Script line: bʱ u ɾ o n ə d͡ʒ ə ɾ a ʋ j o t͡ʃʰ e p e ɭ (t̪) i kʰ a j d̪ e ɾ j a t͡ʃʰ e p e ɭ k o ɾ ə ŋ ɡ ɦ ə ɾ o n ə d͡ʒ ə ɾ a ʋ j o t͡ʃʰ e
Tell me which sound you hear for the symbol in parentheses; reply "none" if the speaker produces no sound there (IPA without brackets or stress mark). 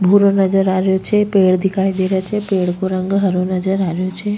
d̪